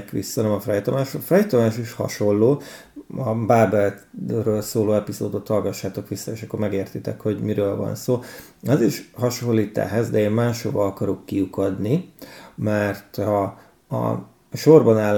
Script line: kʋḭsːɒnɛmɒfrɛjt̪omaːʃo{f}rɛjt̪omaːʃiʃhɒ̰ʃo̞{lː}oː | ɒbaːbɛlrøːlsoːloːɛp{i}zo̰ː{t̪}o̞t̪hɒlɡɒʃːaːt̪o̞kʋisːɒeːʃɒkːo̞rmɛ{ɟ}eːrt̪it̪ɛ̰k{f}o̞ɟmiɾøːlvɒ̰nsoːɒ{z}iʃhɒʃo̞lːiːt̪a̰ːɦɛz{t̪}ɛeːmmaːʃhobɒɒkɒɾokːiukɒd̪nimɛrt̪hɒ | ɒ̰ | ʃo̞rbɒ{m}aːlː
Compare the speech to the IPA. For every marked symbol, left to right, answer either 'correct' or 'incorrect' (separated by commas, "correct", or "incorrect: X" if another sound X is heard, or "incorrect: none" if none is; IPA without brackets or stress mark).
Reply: correct, correct, correct, incorrect: d̪, incorrect: ɡ, incorrect: h, correct, incorrect: d̪, incorrect: n